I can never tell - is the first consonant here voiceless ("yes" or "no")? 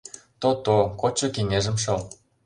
yes